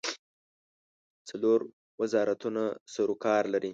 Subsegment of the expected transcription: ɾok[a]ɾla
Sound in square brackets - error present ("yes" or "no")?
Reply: yes